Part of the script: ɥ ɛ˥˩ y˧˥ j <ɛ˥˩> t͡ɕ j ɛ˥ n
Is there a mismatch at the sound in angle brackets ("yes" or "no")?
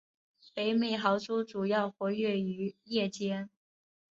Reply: no